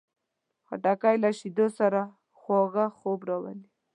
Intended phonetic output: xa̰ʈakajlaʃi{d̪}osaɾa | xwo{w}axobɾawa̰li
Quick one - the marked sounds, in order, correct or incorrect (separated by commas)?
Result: correct, incorrect